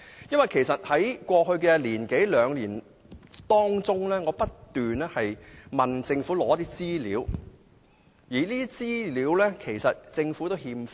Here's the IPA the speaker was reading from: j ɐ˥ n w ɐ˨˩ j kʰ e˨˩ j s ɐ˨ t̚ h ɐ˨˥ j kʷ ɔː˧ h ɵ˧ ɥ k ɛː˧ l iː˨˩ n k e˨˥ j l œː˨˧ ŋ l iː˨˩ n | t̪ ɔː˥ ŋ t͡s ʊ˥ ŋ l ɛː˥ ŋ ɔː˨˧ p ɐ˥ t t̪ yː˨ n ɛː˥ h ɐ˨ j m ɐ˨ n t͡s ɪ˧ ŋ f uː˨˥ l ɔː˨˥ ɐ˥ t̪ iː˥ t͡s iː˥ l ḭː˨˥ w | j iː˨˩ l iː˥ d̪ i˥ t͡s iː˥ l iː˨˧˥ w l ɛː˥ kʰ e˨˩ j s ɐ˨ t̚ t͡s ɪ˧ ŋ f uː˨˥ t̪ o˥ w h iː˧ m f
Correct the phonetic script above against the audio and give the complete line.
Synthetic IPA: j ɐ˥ n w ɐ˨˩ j kʰ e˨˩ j s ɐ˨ t̚ h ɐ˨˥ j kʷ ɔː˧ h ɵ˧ ɥ k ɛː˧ l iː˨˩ n k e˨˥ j l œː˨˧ ŋ l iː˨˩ n | t̪ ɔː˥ ŋ t͡s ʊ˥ ŋ l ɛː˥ ŋ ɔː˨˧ p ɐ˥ t t̪ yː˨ n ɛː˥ h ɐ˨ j m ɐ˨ n t͡s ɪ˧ ŋ f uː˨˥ l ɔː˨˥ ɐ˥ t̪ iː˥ t͡s iː˥ l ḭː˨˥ w | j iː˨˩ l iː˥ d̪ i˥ t͡s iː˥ l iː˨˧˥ w l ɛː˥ kʰ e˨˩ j s ɐ˨ t̚ t͡s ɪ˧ ŋ f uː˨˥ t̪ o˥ w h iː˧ m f